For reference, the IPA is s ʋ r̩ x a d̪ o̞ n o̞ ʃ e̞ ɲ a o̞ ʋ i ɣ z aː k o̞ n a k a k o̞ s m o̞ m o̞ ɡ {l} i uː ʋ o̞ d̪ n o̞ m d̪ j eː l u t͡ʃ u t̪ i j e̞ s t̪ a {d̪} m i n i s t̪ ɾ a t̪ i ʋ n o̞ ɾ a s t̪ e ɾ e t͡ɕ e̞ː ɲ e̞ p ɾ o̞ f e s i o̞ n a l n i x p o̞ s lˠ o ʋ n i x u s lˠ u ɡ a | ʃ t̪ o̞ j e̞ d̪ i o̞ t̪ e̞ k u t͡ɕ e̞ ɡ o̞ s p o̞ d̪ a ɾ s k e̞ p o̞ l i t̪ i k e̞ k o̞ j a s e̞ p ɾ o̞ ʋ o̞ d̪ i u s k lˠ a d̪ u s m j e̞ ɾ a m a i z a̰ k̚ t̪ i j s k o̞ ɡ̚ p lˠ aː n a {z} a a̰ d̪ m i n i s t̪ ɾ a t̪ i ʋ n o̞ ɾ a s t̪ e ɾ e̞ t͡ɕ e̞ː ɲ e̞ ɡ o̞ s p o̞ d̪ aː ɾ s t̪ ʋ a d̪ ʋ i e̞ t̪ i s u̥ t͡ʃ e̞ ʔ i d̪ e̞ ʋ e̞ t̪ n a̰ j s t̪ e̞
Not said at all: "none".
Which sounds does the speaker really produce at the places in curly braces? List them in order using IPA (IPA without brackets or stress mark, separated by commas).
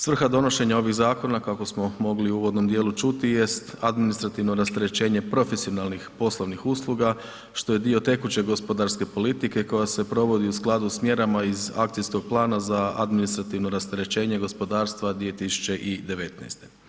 l, d̪, z